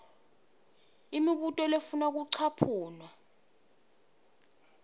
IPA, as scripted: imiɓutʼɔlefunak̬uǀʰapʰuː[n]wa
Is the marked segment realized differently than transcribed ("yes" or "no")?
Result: no